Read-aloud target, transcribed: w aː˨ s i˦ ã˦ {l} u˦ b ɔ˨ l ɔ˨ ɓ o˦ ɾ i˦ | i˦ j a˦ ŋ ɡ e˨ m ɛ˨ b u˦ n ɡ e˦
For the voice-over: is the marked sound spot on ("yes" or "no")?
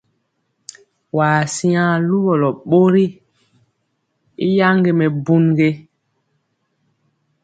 yes